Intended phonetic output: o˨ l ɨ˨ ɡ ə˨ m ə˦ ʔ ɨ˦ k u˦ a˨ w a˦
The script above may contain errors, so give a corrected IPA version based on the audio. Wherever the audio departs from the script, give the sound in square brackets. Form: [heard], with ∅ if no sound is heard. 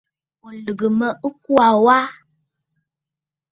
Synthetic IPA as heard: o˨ l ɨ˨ ɡ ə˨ m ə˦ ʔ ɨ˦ k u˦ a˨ w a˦